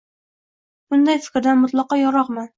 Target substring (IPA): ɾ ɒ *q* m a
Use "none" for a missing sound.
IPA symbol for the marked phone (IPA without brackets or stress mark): q